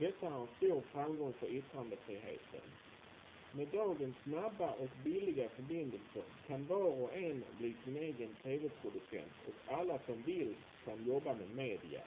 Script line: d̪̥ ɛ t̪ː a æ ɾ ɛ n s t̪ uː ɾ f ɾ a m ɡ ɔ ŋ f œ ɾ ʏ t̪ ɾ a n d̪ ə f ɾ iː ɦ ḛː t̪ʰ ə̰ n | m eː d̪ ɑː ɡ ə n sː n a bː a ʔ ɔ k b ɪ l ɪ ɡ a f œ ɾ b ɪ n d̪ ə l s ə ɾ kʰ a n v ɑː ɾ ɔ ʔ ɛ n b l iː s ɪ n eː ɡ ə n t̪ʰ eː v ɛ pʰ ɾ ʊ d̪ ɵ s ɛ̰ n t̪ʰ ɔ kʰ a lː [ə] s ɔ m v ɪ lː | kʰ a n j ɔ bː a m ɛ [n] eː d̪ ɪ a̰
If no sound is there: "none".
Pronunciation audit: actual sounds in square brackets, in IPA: a, m

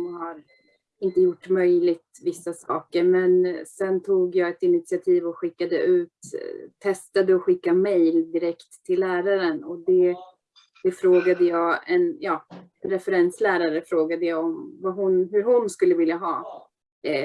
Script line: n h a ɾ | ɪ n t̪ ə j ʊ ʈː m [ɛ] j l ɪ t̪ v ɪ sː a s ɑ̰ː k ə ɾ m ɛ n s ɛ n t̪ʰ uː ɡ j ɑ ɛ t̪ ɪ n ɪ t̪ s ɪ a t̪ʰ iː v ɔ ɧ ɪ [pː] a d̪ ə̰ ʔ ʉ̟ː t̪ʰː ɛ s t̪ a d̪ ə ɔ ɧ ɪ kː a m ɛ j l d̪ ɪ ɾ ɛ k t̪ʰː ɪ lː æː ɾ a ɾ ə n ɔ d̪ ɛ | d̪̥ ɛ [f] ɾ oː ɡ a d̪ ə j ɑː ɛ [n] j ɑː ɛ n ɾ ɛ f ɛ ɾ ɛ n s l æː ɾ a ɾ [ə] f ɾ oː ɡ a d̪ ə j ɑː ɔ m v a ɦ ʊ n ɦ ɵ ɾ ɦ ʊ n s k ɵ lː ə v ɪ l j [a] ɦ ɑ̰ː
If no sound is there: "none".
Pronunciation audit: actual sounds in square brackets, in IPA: œ, kː, f, n, ə, a

